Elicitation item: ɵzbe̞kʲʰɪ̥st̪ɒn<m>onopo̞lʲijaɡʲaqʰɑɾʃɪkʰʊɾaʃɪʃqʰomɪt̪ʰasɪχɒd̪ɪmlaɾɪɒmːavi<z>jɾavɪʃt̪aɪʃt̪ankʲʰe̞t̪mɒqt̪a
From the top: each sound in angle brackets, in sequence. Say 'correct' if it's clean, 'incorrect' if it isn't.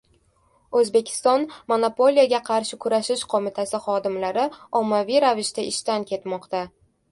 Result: correct, incorrect: none

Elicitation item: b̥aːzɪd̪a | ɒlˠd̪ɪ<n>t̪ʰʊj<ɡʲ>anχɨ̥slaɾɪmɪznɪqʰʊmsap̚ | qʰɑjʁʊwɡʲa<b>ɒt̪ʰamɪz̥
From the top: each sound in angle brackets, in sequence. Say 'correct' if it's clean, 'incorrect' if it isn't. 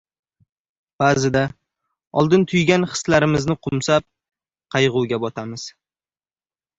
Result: correct, correct, correct

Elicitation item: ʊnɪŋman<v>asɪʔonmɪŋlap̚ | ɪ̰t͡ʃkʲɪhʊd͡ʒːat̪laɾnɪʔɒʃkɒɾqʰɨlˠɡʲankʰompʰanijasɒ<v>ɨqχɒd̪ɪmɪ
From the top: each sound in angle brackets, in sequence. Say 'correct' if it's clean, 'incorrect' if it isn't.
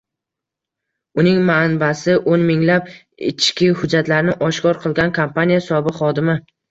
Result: incorrect: b, incorrect: b

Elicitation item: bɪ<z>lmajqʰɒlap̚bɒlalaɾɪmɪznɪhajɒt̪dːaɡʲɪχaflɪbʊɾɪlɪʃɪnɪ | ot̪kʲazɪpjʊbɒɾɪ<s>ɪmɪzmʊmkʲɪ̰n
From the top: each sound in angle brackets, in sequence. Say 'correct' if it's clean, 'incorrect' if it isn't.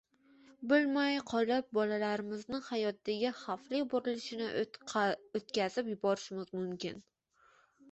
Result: incorrect: none, incorrect: ʃ

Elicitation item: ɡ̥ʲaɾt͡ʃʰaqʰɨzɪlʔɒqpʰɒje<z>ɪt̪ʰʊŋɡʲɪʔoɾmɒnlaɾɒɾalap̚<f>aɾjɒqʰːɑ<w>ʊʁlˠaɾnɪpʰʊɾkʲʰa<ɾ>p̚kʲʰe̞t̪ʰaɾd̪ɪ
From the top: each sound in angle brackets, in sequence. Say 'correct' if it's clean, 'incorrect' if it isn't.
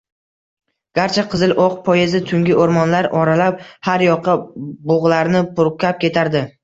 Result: correct, incorrect: h, incorrect: b, incorrect: none

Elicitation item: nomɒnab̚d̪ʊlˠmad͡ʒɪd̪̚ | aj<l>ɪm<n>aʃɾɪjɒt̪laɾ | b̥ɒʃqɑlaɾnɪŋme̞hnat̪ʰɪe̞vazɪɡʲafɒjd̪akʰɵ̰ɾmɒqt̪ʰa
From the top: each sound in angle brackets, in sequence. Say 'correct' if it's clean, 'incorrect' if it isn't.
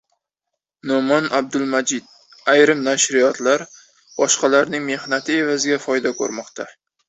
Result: incorrect: ɾ, correct

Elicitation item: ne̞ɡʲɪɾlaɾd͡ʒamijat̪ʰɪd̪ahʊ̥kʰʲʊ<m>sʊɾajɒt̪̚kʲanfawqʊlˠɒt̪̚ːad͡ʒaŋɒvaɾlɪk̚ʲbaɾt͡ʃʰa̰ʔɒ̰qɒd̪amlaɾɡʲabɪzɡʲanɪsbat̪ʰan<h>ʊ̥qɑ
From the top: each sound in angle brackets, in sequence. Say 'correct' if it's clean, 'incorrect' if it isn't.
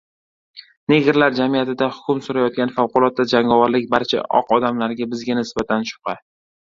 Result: correct, incorrect: ʃ

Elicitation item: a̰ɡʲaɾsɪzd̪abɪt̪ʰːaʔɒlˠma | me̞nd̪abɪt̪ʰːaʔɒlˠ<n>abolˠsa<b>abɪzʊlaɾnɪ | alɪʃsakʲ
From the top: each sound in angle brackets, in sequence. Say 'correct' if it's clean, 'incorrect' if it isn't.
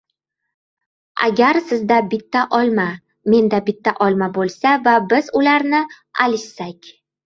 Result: incorrect: m, incorrect: v

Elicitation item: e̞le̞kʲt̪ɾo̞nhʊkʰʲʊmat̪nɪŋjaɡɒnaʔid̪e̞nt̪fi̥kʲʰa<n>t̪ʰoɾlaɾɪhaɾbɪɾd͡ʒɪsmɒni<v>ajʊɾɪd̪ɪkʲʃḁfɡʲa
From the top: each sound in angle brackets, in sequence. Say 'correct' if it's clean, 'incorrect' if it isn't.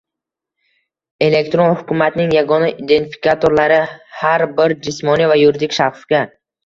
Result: incorrect: none, correct

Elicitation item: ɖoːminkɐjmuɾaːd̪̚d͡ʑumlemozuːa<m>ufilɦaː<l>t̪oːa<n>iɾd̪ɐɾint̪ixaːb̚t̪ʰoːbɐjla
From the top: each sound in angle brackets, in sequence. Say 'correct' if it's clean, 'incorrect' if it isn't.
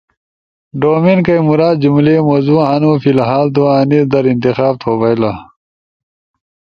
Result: incorrect: n, correct, correct

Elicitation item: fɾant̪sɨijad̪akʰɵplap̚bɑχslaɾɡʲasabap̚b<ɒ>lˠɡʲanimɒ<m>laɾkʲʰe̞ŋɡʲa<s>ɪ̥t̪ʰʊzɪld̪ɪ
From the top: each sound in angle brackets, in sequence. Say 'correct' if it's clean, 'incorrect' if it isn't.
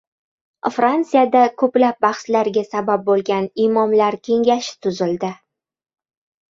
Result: incorrect: o, correct, incorrect: ʃ

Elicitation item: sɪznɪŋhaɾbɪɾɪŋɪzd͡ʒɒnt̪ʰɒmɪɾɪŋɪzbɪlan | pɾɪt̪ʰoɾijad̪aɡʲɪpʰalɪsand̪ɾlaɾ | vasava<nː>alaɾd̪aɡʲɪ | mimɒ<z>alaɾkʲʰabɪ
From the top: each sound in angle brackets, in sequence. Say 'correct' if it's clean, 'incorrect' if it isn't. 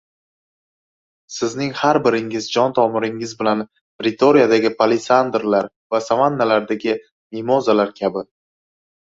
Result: correct, correct

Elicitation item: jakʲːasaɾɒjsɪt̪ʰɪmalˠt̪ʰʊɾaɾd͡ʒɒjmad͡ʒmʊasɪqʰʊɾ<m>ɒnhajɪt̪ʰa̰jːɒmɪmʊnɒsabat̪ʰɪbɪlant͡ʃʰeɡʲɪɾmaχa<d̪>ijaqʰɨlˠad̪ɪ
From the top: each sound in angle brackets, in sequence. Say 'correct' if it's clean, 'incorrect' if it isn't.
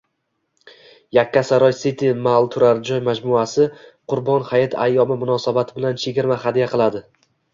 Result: incorrect: b, correct

